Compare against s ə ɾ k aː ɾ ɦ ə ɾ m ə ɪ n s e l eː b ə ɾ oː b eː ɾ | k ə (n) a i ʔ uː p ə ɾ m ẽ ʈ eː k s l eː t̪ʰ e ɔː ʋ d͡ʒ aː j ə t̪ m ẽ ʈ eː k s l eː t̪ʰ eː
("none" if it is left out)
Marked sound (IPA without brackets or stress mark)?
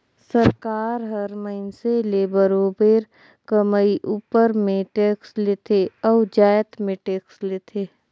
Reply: m